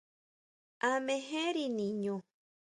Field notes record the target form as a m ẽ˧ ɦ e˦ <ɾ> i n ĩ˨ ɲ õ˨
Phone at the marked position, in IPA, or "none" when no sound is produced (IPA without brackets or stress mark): ɾ